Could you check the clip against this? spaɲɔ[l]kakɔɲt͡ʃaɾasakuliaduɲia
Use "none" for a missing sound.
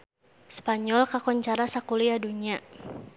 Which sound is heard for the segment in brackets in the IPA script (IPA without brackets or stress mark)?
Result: l